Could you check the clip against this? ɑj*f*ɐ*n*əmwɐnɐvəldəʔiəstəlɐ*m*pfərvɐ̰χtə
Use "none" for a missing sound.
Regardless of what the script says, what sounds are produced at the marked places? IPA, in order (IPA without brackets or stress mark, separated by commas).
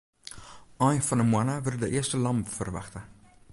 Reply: f, n, m